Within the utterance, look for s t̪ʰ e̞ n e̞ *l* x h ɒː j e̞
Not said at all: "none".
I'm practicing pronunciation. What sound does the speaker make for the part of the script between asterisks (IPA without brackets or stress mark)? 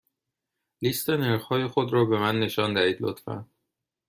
ɾ